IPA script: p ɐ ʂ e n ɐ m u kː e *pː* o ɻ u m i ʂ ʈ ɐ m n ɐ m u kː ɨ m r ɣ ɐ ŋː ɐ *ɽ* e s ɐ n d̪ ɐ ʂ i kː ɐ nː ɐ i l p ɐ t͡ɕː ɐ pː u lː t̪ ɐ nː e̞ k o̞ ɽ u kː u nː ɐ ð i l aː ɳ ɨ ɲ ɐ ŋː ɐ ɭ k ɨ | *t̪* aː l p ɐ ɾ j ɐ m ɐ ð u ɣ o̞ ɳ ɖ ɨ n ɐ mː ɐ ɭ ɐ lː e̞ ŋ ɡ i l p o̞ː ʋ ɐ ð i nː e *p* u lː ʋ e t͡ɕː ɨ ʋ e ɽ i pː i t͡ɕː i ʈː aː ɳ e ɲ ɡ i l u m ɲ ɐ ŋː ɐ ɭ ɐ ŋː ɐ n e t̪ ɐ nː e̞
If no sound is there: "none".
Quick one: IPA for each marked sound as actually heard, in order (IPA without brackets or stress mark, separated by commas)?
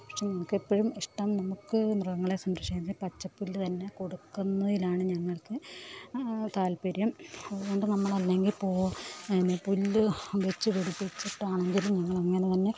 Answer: pː, ɭ, t̪, p